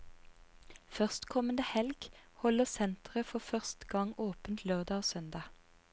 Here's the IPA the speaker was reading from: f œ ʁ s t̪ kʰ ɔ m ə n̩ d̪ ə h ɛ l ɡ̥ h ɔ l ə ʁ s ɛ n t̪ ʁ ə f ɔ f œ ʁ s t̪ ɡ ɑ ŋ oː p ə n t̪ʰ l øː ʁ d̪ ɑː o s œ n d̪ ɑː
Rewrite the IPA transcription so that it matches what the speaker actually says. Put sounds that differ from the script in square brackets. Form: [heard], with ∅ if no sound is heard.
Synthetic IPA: f œ ʁ s t̪ kʰ ɔ m ə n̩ d̪ ə h ɛ l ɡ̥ h ɔ l ə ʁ s ɛ n t̪ ʁ ə f ɔ f œ ʁ s t̪ ɡ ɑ ŋ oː p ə n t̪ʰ l øː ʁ d̪ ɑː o s œ n d̪ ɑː

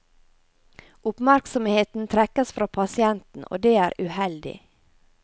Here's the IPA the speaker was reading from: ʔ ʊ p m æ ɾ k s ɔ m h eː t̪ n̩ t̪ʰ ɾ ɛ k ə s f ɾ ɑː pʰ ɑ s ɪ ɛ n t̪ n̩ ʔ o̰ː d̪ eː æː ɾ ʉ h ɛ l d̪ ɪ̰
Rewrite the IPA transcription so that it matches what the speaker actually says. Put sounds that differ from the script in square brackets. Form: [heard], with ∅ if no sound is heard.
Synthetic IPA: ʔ ʊ p m æ ɾ k s ɔ m h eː t̪ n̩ t̪ʰ ɾ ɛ k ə s f ɾ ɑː pʰ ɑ s ɪ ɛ n t̪ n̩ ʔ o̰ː d̪ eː æː ɾ ʉ h ɛ l d̪ ɪ̰

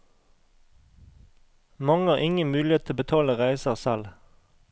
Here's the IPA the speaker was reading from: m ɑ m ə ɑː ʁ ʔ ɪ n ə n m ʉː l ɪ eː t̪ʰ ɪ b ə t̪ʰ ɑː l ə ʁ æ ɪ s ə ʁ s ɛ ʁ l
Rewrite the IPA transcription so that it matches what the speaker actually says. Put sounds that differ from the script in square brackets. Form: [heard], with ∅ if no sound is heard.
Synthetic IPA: m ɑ [ŋ] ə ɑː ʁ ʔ ɪ [ŋ] ə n m ʉː l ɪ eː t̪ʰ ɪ b ə t̪ʰ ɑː l ə ʁ æ ɪ s ə ʁ s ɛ [∅] l

